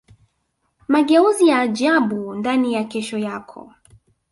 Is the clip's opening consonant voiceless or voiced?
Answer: voiced